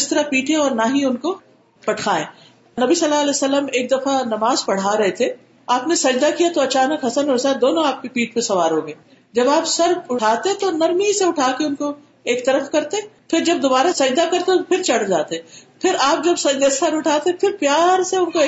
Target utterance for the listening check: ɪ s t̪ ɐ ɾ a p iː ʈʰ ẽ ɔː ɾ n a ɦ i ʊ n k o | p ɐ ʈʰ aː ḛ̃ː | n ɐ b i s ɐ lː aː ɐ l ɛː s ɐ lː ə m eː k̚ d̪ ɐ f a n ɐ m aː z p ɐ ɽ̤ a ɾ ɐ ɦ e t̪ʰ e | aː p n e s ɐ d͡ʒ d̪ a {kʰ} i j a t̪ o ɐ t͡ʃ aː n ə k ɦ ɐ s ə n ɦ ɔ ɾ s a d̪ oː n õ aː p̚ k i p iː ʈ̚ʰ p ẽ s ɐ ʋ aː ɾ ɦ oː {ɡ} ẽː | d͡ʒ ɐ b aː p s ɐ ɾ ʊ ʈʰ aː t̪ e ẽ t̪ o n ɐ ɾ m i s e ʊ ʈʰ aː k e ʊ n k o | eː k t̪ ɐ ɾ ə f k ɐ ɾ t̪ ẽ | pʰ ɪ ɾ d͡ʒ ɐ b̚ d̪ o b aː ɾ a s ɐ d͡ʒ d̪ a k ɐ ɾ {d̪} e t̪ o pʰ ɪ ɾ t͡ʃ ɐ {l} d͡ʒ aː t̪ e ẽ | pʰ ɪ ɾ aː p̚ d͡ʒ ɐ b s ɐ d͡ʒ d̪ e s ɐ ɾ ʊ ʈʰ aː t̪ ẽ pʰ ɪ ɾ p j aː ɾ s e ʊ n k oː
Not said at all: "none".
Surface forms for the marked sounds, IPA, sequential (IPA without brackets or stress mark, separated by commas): k, ɡ, t̪, ɽ